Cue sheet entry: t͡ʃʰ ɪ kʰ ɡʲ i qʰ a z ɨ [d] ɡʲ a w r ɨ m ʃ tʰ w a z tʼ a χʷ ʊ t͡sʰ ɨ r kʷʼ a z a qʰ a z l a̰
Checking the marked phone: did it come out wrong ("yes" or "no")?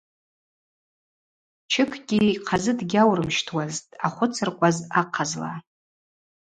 no